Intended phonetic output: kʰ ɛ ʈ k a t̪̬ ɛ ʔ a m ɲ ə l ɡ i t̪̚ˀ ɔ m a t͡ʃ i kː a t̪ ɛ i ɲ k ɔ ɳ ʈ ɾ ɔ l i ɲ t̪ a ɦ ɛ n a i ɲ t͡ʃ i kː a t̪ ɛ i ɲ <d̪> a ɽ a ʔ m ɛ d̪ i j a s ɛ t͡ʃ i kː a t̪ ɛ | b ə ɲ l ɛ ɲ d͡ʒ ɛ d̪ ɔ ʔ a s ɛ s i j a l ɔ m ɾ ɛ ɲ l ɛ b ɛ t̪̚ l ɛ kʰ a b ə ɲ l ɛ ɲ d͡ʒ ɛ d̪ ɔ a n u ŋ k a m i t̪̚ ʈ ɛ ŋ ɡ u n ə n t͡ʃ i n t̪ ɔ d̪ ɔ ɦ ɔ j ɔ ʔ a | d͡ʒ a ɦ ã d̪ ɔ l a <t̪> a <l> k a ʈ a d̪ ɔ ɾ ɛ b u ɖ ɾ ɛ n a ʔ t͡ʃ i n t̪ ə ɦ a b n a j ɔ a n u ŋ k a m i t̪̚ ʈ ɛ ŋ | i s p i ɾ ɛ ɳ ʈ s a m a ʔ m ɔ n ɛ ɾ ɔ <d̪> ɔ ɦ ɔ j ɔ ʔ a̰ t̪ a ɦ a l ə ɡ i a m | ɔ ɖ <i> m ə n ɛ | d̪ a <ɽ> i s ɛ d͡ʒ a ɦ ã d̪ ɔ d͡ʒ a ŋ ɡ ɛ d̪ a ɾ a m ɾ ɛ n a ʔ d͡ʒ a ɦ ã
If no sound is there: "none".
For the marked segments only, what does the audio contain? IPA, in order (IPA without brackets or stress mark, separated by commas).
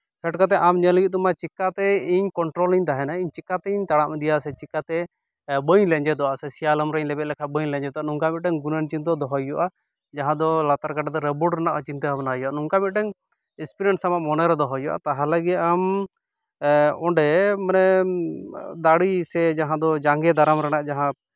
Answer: t̪, t̪, ɾ, d̪, ɛ, ɽ